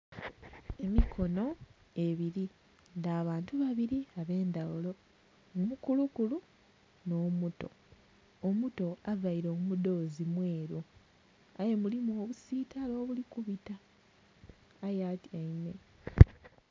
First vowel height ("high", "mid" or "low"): mid